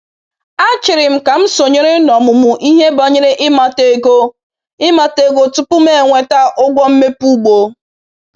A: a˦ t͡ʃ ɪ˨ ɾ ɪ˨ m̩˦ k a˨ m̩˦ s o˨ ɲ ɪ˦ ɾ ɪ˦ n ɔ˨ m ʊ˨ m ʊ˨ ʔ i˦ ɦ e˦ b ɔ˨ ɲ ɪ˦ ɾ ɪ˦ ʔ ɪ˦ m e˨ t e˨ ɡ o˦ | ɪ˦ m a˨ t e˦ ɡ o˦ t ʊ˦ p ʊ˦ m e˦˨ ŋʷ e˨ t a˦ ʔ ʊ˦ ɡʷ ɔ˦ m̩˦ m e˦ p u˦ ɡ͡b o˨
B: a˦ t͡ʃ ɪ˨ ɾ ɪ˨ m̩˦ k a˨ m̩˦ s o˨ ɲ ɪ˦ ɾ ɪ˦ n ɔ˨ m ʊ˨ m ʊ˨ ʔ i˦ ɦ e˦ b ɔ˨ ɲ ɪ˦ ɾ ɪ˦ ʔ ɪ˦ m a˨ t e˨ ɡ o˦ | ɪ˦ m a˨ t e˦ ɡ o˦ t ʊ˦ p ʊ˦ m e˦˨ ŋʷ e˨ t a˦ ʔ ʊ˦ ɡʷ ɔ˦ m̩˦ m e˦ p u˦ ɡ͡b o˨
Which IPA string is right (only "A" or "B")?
B